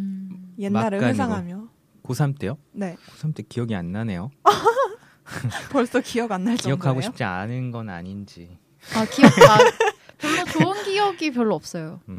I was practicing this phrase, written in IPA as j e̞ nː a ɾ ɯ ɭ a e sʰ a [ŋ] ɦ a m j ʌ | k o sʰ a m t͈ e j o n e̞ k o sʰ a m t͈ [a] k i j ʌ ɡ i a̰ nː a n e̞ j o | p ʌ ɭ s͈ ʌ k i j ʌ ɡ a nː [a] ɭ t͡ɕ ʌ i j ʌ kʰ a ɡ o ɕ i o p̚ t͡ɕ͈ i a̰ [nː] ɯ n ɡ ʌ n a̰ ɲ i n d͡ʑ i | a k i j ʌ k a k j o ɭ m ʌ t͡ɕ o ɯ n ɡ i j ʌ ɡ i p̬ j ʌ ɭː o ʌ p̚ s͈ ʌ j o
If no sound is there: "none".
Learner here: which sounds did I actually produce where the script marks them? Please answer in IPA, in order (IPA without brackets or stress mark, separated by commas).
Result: ŋ, e, a, n